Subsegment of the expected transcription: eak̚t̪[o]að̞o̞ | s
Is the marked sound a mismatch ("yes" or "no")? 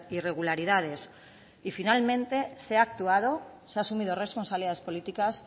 yes